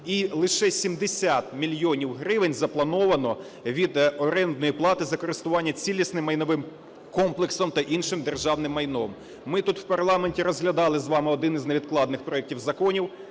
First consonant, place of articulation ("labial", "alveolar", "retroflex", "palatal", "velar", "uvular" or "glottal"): alveolar